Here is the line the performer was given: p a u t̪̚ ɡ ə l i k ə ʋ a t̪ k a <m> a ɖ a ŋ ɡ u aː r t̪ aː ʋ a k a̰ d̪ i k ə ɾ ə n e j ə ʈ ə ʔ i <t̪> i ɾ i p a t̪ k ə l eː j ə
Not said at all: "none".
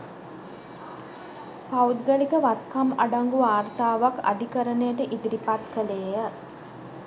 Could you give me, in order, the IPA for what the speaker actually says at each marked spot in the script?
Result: m, d̪

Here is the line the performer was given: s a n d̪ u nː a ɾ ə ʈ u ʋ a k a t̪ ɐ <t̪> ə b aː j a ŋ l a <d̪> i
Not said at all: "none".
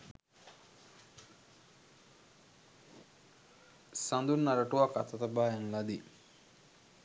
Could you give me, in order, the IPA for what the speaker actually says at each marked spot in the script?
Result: t̪, d̪

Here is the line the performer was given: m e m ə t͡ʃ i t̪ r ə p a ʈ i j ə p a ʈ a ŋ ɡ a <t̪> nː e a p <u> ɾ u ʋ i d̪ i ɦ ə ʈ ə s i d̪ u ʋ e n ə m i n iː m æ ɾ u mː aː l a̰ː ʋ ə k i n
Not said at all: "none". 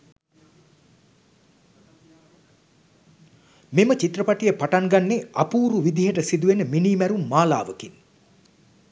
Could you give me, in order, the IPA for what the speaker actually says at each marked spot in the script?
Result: none, uː

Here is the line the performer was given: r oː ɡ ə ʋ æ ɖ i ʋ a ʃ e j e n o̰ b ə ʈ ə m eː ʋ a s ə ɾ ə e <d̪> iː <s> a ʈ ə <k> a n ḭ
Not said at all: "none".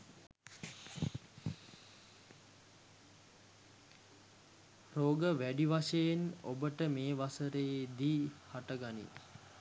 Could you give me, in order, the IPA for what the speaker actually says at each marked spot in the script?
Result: d̪, h, ɡ

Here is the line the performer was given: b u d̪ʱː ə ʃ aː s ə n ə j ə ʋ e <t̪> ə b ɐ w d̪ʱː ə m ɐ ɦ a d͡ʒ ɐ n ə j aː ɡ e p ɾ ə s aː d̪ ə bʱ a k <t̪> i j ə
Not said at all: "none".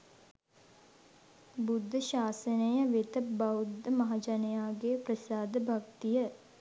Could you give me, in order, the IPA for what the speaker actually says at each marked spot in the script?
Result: t̪, t̪

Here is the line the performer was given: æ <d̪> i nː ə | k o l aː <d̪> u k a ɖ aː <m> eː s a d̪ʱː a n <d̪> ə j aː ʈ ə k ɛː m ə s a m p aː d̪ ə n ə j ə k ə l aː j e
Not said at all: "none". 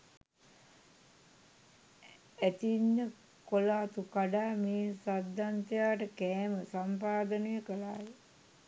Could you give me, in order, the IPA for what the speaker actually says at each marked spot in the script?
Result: t̪, t̪, m, t̪

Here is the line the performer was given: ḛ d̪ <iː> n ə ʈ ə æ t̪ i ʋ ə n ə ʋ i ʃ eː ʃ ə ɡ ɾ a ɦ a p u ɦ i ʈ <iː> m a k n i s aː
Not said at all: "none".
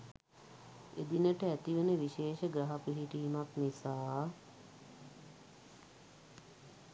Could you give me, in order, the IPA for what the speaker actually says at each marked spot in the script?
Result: i, iː

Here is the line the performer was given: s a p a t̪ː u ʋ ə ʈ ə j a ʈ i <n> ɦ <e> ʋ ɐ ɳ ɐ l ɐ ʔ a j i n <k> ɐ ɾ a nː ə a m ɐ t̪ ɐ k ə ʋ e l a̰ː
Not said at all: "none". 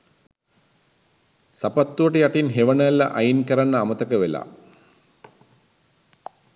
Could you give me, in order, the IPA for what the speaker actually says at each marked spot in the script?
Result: n, e, k

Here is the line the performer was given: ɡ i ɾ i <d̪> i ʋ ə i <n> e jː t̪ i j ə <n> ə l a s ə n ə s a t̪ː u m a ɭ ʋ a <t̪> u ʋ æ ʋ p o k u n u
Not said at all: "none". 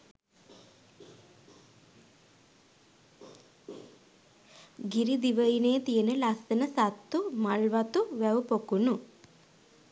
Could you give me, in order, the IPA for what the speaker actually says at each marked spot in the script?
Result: d̪, n, n, t̪

